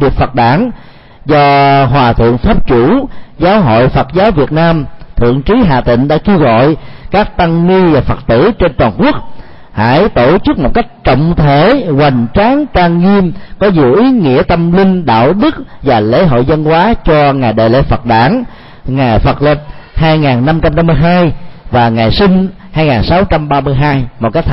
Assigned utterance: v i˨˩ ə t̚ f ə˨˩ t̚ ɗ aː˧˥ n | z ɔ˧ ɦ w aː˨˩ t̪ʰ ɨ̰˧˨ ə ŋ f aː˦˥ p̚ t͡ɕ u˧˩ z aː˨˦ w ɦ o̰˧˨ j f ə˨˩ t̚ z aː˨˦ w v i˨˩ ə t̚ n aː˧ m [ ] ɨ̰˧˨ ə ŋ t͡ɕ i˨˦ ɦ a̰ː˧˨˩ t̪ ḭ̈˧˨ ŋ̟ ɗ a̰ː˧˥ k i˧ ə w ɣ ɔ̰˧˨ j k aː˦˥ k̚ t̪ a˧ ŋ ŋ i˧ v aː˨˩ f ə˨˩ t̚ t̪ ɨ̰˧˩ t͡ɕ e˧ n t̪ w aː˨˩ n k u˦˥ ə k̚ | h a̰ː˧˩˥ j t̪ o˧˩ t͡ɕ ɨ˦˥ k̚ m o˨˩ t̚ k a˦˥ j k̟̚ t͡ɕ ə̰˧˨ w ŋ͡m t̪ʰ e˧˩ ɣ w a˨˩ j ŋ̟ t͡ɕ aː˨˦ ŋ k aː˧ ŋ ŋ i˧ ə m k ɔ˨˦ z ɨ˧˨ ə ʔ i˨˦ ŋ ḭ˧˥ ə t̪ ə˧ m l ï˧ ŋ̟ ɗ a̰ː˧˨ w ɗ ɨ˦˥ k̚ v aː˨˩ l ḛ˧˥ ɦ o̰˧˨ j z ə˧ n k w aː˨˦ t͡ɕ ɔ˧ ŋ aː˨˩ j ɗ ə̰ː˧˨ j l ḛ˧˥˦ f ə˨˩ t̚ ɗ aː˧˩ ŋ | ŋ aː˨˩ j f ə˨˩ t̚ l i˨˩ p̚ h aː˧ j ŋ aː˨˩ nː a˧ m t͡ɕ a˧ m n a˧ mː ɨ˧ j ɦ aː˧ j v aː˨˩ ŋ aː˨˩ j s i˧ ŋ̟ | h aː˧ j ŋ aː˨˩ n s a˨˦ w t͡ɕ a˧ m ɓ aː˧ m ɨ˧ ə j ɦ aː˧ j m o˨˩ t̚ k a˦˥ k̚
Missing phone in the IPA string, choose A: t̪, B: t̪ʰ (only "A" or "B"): B